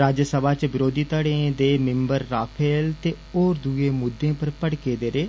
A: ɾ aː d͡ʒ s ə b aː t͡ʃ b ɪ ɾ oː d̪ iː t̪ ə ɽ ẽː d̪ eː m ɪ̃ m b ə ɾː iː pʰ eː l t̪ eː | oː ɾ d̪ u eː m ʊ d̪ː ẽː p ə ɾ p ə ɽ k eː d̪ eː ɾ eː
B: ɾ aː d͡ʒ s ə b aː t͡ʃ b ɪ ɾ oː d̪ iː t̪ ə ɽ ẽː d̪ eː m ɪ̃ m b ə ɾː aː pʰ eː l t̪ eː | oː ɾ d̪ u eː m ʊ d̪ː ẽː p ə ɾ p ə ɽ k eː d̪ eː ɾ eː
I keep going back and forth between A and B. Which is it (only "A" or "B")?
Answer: B